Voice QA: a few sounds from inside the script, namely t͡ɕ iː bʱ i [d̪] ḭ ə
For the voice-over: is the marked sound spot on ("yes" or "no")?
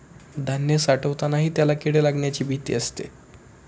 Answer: no